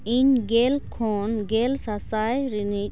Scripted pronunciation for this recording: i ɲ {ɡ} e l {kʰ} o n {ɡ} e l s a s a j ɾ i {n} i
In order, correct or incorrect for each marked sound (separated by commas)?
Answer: correct, correct, correct, correct